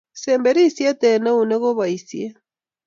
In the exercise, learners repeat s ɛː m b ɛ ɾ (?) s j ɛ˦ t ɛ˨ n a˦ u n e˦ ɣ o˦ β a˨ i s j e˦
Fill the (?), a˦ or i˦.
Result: i˦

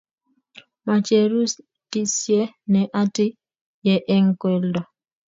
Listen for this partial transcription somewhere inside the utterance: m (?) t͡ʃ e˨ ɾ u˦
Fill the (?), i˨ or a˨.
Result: a˨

